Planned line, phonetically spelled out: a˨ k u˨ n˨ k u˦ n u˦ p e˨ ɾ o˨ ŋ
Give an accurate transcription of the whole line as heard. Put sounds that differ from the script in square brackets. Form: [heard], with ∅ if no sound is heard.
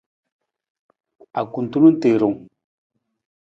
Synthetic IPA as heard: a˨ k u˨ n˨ [t] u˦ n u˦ [t] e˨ ɾ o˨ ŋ